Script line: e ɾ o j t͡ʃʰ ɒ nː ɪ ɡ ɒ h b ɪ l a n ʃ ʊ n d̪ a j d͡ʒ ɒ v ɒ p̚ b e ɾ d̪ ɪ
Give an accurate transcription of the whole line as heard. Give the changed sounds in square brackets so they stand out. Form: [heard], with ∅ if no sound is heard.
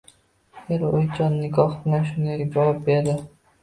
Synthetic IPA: e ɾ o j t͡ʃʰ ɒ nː ɪ ɡ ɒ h b ɪ l a n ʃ ʊ n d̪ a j d͡ʒ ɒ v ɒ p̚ b e ɾ d̪ ɪ